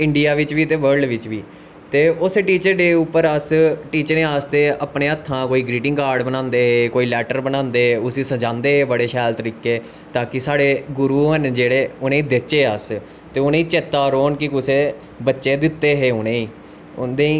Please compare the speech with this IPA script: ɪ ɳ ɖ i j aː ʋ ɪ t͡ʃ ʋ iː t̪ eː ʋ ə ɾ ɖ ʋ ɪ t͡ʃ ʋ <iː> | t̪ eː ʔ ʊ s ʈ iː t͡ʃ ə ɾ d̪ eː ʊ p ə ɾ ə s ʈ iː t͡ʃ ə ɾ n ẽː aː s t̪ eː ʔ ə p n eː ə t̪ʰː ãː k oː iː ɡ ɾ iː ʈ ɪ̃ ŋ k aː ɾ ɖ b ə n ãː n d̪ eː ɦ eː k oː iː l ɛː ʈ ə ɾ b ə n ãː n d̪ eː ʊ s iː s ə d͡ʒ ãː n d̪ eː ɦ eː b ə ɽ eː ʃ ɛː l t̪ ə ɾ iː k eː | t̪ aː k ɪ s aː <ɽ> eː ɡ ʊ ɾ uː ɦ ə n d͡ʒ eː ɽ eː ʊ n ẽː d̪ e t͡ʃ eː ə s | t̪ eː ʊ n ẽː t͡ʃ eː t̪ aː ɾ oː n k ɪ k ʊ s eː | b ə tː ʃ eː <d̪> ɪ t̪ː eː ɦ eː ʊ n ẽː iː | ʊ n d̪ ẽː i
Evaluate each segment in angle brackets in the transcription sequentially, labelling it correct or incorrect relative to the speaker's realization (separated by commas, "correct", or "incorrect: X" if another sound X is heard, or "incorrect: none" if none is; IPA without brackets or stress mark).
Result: correct, correct, correct